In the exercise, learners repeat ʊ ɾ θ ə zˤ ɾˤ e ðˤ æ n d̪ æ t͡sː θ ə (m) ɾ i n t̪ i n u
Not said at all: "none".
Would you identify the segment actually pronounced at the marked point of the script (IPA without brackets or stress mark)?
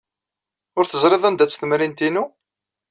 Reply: m